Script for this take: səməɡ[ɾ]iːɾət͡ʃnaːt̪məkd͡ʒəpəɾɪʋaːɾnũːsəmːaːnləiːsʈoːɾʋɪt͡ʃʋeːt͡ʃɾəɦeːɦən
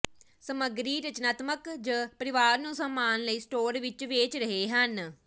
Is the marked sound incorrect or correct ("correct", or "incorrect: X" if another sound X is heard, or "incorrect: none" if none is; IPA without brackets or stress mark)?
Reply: correct